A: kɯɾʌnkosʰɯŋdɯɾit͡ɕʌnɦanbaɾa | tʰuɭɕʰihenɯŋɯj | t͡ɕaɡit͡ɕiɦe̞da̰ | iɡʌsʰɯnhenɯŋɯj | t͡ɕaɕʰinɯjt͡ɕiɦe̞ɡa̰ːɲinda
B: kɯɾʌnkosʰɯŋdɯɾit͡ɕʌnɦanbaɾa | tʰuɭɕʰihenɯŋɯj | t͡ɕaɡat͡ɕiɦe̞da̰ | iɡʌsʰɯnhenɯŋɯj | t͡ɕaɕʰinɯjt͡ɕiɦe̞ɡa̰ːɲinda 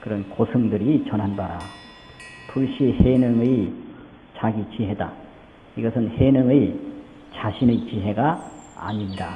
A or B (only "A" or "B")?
A